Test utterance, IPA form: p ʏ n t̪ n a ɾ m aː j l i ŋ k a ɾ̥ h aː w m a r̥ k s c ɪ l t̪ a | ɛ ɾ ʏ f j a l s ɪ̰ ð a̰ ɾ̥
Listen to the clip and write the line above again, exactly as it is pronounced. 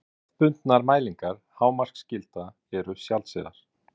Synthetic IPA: p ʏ n t̪ n a ɾ m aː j l i ŋ k a ɾ̥ h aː w m a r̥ k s c ɪ l t̪ a | ɛ ɾ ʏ s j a l s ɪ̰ ð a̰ ɾ̥